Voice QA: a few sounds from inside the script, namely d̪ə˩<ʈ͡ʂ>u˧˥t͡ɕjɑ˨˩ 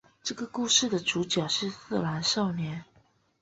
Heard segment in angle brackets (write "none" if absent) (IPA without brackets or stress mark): ʈ͡ʂ